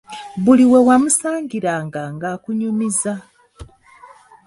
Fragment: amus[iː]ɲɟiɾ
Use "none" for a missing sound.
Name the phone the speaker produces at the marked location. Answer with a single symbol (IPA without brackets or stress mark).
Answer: aː